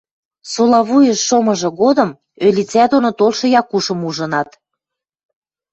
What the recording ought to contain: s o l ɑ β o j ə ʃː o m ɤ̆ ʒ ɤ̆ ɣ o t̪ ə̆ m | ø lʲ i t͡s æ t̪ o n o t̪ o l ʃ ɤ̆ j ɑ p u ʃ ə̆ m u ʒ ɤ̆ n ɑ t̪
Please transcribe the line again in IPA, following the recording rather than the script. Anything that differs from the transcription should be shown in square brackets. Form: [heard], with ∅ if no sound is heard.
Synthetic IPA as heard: s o l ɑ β [u] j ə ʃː o m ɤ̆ ʒ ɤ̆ ɣ o [d̪] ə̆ m | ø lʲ i t͡s æ [d̪] o n o t̪ o l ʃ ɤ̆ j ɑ [k] u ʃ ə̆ m u ʒ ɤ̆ n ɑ t̪